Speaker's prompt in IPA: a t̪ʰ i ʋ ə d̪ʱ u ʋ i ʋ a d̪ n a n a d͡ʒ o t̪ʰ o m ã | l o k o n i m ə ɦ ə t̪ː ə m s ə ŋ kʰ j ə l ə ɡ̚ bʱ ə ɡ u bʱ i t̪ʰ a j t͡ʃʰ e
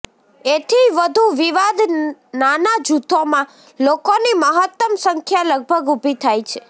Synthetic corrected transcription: e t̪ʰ i ʋ ə d̪ʱ u ʋ i ʋ a d̪ n a n a d͡ʒ u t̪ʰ o m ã | l o k o n i m ə ɦ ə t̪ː ə m s ə ŋ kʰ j a l ə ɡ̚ bʱ ə ɡ u bʱ i t̪ʰ a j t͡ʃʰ e